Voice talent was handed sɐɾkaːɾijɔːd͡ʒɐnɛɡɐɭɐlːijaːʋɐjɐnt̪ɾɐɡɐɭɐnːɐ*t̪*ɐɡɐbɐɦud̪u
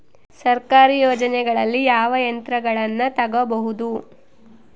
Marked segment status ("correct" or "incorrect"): correct